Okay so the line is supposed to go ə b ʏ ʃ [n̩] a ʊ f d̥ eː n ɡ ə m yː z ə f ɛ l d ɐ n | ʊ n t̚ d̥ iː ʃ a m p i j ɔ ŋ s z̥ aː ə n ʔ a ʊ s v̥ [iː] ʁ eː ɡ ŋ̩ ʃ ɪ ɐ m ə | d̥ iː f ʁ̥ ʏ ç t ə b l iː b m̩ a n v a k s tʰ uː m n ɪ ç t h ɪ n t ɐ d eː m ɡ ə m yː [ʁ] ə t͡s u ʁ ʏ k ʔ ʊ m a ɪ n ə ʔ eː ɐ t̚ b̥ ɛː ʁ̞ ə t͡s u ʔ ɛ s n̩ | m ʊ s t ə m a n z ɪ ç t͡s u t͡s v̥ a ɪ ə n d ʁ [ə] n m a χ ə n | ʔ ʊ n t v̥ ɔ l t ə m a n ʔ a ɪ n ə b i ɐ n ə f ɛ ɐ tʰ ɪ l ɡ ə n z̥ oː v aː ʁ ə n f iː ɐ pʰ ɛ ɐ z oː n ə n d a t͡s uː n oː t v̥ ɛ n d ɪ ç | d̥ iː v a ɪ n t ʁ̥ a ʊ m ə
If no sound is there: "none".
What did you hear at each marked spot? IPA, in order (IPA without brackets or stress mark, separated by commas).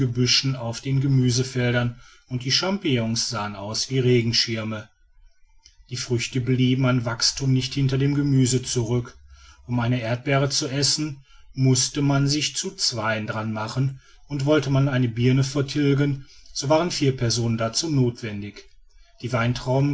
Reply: n̩, iː, z, a